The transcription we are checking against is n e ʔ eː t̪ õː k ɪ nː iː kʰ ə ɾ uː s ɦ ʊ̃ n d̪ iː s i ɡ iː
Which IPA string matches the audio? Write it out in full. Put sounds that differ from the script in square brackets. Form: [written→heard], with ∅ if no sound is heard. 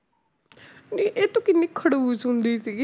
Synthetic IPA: n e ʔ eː t̪ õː k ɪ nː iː kʰ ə [ɾ→ɽ] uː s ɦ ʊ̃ n d̪ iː s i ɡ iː